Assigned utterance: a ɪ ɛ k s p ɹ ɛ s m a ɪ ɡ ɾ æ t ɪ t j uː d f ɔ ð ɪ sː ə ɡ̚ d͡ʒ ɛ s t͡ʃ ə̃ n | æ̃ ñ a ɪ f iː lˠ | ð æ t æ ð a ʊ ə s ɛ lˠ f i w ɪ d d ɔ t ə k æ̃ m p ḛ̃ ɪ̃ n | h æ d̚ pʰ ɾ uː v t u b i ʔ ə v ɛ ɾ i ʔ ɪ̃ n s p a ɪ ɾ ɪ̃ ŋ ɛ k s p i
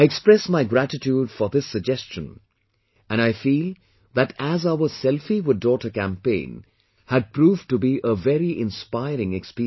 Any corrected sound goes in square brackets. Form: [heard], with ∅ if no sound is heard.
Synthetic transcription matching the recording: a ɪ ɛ k s p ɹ ɛ s m a ɪ ɡ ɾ æ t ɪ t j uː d f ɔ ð ɪ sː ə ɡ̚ d͡ʒ ɛ s t͡ʃ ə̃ n | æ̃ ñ a ɪ f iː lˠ | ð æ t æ [z] a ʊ ə s ɛ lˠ f i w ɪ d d ɔ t ə k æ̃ m p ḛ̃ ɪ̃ n | h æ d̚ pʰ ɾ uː v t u b i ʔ ə v ɛ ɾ i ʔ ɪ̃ n s p a ɪ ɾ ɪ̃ ŋ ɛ k s p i